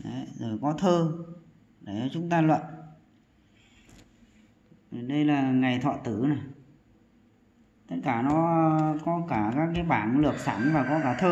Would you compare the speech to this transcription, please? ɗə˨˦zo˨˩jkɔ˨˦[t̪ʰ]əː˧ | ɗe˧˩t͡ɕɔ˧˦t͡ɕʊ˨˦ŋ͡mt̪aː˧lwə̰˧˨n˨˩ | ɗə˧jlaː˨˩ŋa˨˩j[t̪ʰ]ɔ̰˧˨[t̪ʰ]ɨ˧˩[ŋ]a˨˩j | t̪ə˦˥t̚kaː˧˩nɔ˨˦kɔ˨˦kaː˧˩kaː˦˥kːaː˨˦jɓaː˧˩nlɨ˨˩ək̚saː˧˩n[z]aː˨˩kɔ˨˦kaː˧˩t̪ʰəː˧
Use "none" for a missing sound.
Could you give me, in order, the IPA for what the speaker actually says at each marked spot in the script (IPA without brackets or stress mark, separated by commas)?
t̪ʰ, t̪ʰ, t̪, n, v